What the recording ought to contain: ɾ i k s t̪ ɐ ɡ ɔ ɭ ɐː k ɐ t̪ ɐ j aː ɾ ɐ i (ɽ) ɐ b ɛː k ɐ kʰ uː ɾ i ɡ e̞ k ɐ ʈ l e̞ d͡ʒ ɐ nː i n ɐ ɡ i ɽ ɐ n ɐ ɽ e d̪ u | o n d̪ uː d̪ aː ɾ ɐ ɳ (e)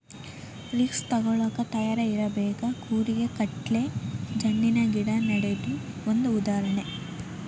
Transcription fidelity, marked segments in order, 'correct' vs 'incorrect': incorrect: ɾ, correct

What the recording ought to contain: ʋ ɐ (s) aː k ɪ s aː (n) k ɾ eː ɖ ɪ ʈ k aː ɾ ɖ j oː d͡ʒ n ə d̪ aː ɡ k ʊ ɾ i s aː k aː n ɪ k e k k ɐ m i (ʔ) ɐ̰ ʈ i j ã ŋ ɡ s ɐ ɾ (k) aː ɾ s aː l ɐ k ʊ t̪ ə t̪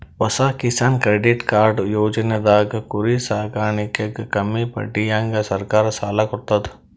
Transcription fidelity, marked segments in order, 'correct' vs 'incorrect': correct, correct, incorrect: p, correct

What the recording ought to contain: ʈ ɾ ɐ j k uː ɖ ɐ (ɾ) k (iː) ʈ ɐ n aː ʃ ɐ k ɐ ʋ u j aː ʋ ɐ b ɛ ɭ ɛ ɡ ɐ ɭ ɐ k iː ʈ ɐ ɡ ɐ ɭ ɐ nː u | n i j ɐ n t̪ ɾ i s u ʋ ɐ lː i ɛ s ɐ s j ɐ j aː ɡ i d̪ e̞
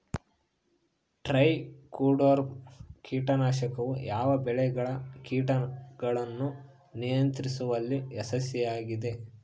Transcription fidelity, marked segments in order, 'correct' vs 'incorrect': correct, correct

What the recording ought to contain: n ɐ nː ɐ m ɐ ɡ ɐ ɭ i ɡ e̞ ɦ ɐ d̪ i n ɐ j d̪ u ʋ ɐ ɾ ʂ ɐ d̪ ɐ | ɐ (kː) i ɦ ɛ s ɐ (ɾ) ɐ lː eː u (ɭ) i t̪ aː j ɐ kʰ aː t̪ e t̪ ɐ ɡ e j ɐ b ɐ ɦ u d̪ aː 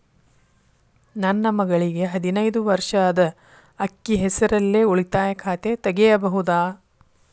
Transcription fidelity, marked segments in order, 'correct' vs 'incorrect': correct, correct, correct

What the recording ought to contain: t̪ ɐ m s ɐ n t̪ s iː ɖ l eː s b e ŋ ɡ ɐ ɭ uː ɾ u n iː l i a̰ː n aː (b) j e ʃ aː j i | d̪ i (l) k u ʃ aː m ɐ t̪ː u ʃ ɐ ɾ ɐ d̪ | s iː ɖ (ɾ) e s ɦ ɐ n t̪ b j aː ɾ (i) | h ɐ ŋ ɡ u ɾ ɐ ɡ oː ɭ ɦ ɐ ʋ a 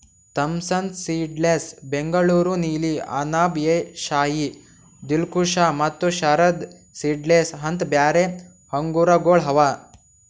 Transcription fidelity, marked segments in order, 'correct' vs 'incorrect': correct, correct, incorrect: l, incorrect: e

